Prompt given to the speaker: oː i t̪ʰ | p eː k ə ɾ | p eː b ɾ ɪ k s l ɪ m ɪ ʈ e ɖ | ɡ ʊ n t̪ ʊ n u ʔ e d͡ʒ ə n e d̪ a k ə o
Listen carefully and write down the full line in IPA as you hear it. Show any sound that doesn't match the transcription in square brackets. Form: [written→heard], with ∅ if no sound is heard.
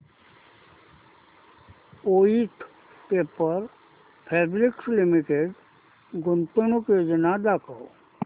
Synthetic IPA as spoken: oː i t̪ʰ | p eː [k→p] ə ɾ | [p→pʰ] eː b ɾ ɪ k s l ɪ m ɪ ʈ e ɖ | ɡ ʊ n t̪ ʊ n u [ʔ→k] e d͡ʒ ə n [e→a] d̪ a k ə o